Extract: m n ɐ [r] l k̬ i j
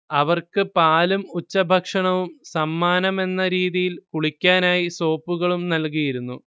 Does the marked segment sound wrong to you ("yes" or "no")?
yes